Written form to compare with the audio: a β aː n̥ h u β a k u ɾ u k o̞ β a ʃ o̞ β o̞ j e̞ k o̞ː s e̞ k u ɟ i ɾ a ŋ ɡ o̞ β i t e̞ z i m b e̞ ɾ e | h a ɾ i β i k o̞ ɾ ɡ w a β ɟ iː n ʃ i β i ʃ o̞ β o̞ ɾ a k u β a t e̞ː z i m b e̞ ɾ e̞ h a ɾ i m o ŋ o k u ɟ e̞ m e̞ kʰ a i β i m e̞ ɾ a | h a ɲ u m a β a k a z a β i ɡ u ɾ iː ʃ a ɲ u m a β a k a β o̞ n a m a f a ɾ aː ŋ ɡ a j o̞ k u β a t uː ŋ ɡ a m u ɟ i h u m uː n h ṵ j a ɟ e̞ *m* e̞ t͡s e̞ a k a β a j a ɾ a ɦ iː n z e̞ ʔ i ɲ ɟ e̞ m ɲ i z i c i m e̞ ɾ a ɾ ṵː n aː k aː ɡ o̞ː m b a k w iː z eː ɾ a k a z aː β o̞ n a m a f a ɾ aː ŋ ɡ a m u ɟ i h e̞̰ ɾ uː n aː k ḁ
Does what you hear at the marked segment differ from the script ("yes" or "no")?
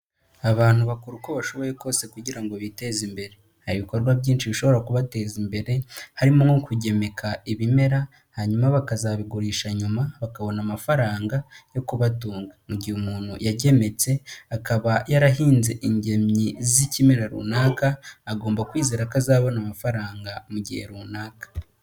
no